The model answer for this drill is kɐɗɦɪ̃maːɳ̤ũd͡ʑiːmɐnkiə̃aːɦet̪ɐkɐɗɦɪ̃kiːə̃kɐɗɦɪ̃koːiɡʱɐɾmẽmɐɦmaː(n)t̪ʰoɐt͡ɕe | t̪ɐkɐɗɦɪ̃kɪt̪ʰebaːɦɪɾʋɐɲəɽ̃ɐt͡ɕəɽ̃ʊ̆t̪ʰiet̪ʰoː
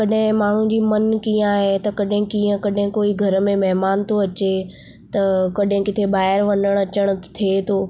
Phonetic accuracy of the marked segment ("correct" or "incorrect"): correct